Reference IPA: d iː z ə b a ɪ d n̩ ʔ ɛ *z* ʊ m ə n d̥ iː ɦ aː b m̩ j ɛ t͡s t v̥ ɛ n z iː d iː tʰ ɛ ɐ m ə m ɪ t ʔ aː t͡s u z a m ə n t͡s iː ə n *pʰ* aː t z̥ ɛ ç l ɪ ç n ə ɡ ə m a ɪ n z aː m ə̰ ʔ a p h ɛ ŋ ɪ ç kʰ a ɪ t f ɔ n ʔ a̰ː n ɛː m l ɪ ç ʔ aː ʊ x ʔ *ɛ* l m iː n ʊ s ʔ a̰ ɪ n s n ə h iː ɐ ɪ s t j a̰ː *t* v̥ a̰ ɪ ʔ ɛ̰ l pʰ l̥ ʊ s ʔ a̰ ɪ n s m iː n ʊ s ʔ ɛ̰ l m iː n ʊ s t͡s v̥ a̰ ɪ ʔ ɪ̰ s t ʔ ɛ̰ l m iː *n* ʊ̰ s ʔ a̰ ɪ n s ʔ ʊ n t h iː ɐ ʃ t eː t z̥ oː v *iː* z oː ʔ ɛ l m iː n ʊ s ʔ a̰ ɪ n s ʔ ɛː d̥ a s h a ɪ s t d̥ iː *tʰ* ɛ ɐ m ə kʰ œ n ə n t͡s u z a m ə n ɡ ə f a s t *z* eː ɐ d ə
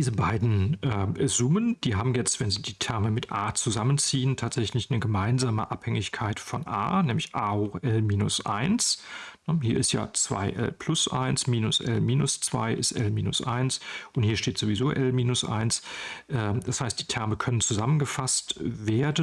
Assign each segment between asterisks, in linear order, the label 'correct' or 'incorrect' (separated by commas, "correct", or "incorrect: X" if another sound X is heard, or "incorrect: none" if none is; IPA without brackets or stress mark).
correct, incorrect: tʰ, correct, incorrect: t͡s, correct, incorrect: i, correct, incorrect: v